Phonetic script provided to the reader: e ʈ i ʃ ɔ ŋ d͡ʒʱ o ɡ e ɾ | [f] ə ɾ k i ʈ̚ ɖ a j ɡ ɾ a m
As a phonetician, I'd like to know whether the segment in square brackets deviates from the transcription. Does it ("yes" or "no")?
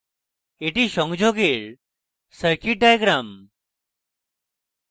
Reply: yes